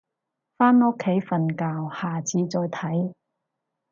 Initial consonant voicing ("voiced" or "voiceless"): voiceless